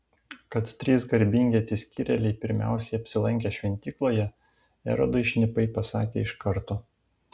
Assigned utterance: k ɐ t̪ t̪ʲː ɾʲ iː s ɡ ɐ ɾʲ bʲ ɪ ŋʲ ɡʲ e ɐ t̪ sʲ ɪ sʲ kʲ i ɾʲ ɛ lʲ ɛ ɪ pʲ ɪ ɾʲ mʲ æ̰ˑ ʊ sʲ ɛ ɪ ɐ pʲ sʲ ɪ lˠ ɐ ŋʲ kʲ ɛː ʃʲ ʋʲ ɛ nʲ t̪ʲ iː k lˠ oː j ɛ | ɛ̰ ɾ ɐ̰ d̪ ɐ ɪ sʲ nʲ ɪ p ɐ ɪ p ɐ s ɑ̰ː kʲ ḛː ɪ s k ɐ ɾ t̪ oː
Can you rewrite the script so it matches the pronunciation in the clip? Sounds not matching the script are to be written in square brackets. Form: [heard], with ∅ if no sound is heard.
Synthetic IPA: k ɐ t̪ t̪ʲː ɾʲ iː s ɡ ɐ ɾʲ bʲ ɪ ŋʲ ɡʲ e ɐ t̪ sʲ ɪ sʲ kʲ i ɾʲ ɛ lʲ ɛ ɪ pʲ ɪ ɾʲ mʲ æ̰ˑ ʊ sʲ ɛ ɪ ɐ pʲ sʲ ɪ lˠ ɐ ŋʲ kʲ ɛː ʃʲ ʋʲ ɛ nʲ t̪ʲ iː k lˠ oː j ɛ | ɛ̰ ɾ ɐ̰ d̪ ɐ ɪ [ʃʲ] nʲ ɪ p ɐ ɪ p ɐ s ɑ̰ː kʲ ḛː ɪ [ʃ] k ɐ ɾ t̪ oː